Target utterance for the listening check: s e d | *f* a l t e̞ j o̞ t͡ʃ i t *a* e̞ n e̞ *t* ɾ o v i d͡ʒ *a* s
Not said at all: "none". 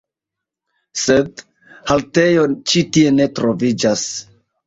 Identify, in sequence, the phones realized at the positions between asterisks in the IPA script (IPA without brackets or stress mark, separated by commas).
h, i, t, a